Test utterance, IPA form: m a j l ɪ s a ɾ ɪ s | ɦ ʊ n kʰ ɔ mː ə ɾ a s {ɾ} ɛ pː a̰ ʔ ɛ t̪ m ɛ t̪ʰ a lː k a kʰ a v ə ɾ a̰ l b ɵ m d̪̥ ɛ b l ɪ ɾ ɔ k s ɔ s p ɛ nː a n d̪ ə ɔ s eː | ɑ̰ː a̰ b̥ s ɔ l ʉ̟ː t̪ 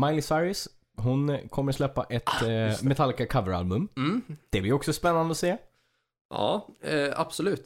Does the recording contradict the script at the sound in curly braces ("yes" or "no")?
yes